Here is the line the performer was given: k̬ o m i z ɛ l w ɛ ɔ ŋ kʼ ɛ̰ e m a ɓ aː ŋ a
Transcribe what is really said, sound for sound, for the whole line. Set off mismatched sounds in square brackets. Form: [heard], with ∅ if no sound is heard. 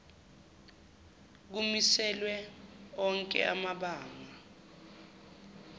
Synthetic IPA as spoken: k̬ [u] m i [s] ɛ l w ɛ ɔ ŋ kʼ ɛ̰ [a] m a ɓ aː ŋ a